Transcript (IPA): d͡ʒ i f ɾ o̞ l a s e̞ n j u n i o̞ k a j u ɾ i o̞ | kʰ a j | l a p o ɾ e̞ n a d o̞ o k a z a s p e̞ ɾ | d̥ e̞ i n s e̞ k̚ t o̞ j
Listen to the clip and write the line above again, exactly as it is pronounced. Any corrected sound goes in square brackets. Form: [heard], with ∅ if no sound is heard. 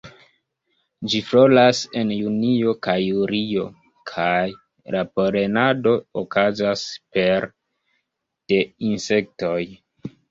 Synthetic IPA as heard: d͡ʒ i f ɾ o̞ l a s e̞ n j u n i o̞ k a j u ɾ i o̞ | kʰ a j | l a p o ɾ e̞ n a d o̞ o k a z a s p e̞ ɾ | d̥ e̞ i n s e̞ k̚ t o̞ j